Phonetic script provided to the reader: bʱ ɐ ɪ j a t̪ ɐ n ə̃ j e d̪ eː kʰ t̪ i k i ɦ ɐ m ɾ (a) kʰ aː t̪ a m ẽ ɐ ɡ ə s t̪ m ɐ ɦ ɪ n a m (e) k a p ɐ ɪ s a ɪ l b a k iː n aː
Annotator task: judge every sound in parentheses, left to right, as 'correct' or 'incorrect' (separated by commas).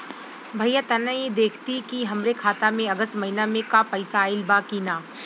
incorrect, incorrect